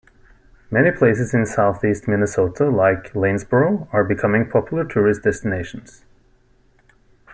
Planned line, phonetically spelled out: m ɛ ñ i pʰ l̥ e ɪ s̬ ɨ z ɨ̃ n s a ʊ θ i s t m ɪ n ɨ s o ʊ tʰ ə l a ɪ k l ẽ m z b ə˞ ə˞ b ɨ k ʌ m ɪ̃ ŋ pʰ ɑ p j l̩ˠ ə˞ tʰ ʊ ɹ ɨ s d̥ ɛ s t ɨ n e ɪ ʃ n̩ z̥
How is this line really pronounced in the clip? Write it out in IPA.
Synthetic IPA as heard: m ɛ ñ i pʰ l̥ e ɪ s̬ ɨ z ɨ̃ n s a ʊ θ i s t m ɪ n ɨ s o ʊ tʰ ə l a ɪ k l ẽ n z b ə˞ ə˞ b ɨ kʰ ʌ m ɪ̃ ŋ pʰ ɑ p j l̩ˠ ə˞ tʰ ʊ ɹ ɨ s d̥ ɛ s t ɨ n e ɪ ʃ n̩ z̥